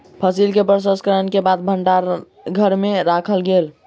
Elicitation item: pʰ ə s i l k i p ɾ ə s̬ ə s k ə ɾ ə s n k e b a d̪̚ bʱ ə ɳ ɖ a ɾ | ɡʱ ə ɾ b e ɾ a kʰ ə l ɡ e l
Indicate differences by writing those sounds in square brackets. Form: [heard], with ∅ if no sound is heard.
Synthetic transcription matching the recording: pʰ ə s i l k [e] p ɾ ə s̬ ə s k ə ɾ ə [∅] n k e b a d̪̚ bʱ ə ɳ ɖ a ɾ | ɡʱ ə ɾ [m] e ɾ a kʰ ə l ɡ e l